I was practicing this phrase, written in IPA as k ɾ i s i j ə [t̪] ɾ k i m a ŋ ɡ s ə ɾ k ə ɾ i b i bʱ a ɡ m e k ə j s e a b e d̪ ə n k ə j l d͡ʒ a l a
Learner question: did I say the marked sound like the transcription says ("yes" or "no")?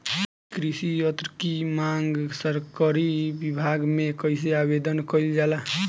yes